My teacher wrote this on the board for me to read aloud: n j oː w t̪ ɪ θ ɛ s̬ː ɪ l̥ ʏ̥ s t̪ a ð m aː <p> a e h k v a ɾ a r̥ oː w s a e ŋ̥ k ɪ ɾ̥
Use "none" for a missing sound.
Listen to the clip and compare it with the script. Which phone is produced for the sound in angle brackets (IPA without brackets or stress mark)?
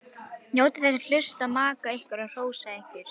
k